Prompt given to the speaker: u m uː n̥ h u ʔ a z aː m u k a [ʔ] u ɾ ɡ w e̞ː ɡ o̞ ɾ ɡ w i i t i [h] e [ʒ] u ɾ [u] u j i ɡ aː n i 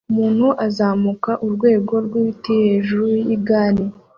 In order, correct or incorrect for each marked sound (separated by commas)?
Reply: correct, correct, correct, correct